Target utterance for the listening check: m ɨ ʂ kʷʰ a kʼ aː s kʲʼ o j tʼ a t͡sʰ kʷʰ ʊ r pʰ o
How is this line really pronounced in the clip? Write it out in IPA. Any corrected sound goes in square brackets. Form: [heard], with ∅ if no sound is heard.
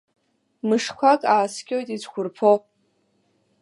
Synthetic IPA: m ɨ ʂ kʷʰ a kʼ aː s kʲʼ o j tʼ [i] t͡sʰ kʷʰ ʊ r pʰ o